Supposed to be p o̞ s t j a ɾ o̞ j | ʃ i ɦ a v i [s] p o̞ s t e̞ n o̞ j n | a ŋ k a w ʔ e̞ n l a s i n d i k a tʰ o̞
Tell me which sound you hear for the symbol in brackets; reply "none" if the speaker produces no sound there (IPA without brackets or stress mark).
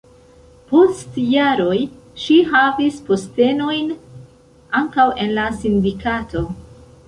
s